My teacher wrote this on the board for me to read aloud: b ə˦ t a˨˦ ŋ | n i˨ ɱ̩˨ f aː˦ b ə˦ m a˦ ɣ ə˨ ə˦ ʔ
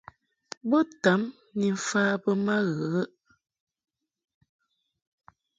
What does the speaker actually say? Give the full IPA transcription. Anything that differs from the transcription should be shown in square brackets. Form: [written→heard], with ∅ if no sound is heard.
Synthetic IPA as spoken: b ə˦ t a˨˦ [ŋ→m] | n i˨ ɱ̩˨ f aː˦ b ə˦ m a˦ ɣ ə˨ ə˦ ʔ